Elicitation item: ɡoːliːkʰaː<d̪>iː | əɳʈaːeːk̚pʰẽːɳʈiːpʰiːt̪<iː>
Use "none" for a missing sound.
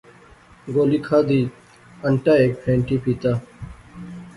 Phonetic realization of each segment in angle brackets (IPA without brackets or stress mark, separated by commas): d̪, aː